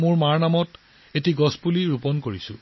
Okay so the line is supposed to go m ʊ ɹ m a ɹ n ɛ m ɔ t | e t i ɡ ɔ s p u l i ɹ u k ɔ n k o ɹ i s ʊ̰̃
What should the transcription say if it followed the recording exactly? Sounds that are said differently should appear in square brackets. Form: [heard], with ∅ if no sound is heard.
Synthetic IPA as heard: m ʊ ɹ m a ɹ n [a] m ɔ t | e t i ɡ ɔ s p u l i ɹ u [p] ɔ n k o ɹ i s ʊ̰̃